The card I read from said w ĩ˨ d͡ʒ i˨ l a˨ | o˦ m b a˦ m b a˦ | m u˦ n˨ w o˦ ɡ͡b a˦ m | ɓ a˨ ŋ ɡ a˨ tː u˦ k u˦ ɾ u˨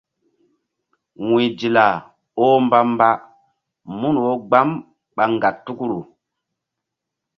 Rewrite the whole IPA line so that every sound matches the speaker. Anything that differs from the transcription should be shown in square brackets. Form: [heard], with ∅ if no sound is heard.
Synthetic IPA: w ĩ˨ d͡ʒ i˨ l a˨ | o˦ m b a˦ m b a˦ | m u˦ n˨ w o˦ ɡ͡b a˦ m | ɓ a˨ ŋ ɡ a˨ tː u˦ k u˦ ɾ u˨